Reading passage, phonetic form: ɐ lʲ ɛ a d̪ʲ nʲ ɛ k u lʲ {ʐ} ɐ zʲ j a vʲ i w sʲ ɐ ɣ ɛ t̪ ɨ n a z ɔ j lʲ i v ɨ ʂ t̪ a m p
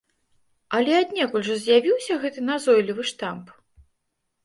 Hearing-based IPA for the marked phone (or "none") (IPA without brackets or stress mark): ʐ